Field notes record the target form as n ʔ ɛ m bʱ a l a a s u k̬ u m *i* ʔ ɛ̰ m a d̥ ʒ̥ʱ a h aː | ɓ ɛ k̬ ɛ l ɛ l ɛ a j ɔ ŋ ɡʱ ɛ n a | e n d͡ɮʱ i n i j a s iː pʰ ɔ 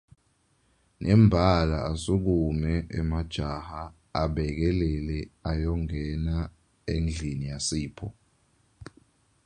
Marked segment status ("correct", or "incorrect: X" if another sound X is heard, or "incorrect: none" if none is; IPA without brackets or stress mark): incorrect: ɛ